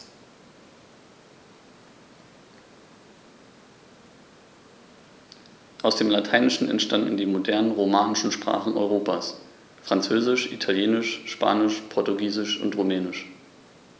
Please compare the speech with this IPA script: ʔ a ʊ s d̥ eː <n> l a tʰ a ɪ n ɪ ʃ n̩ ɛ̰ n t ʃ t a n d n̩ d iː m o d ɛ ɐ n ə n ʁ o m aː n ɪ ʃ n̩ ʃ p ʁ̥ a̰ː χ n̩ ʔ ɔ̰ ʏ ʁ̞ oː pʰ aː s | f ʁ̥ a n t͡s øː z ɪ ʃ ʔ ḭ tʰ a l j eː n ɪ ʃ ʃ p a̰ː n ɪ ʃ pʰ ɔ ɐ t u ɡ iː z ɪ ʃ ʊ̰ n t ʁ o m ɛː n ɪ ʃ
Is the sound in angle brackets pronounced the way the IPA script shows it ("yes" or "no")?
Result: no